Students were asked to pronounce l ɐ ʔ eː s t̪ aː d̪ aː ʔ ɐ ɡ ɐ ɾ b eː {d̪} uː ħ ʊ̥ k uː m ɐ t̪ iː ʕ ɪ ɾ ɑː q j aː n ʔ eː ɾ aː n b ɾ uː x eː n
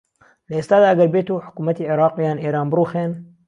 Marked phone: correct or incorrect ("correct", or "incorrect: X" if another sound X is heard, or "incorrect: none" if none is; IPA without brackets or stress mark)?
incorrect: t̪